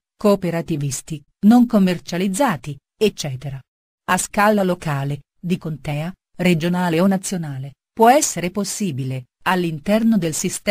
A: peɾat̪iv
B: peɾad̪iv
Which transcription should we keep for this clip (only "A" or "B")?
A